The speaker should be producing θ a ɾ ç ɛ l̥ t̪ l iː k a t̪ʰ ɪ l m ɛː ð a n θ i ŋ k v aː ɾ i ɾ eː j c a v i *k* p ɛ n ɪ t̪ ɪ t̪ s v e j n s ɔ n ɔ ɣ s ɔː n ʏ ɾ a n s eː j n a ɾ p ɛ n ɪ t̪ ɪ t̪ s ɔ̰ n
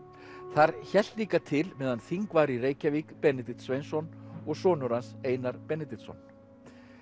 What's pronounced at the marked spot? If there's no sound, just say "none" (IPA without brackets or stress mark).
k